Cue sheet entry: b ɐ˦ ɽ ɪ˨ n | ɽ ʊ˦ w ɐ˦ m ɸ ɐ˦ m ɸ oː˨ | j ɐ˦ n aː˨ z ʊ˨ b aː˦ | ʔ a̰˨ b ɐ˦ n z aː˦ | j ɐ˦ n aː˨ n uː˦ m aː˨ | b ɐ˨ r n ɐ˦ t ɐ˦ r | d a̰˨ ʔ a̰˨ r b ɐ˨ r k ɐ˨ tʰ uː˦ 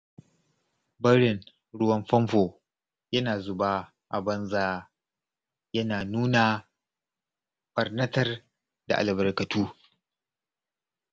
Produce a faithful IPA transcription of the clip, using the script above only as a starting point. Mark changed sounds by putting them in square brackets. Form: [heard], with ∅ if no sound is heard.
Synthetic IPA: b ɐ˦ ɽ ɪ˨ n | ɽ ʊ˦ w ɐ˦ m ɸ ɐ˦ m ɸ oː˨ | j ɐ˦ n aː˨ z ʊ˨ b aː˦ | ʔ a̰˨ b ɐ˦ n z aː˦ | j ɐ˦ n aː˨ n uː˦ [n] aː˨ | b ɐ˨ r n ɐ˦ t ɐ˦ r | d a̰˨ ʔ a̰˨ [l] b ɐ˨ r k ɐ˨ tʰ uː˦